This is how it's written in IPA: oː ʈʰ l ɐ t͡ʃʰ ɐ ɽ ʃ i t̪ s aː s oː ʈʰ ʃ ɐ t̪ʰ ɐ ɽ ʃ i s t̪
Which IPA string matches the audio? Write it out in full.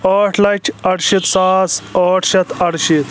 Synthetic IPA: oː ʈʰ l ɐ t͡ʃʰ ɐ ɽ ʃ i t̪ s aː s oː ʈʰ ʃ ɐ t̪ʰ ɐ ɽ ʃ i t̪